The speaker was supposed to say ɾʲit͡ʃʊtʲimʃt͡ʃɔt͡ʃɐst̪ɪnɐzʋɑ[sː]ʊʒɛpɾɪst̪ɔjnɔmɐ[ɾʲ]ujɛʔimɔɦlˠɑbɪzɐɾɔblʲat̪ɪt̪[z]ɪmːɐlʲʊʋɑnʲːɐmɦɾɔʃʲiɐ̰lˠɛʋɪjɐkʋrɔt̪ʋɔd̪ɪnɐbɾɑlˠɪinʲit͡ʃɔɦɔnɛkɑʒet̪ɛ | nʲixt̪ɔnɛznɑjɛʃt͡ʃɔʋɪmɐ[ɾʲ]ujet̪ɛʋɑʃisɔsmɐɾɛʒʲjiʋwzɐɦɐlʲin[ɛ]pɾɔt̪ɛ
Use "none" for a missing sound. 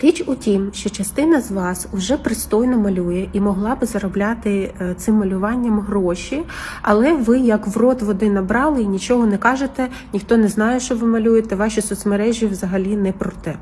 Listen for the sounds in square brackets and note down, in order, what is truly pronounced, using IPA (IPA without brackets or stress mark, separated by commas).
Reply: s, lʲ, s, lʲ, ɛ